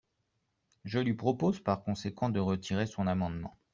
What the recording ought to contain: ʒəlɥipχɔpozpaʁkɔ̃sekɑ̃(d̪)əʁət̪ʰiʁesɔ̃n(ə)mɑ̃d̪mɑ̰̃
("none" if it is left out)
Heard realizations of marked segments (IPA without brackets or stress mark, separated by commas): d̪, a